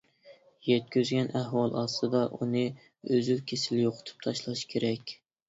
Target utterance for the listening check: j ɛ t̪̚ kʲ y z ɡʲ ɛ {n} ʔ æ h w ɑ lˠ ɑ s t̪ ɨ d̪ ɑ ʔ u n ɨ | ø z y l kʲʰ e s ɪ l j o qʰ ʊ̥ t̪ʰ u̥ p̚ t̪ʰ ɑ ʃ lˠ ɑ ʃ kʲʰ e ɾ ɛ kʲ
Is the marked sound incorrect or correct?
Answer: correct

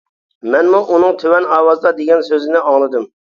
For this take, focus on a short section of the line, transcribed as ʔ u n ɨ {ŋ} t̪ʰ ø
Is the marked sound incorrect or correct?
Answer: correct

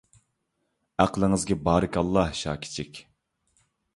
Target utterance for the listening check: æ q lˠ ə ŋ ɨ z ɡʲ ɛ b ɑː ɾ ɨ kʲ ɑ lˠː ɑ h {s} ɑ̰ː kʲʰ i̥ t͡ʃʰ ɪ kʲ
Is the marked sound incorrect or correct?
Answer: incorrect: ʃ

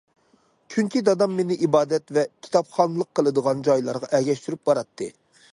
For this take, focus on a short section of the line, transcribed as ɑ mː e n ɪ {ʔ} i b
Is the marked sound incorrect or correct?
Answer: correct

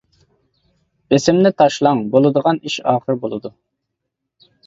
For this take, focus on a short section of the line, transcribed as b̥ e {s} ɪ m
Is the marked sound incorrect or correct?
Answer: correct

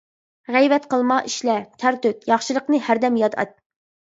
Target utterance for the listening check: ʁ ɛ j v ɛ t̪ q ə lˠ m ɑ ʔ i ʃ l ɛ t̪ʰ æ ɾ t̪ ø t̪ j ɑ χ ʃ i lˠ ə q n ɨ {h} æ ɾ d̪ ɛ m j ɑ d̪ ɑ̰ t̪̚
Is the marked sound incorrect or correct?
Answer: correct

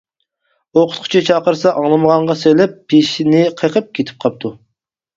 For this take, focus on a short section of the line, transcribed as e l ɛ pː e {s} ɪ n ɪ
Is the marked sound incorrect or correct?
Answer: incorrect: ʃ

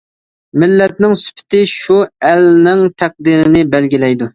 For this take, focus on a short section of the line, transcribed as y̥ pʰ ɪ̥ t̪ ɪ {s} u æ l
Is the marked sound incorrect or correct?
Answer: incorrect: ʃ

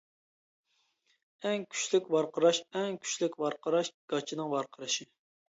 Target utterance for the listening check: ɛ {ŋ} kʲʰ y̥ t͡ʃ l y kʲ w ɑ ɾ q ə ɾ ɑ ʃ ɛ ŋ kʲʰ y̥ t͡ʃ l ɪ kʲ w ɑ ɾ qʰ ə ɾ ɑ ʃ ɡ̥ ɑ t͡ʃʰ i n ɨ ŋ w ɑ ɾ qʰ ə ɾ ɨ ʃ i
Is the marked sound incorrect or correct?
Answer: correct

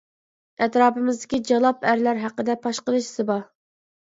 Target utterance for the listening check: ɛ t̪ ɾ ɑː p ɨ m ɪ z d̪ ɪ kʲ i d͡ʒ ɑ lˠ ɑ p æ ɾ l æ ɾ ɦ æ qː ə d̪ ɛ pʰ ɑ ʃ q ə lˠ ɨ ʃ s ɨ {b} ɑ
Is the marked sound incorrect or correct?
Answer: correct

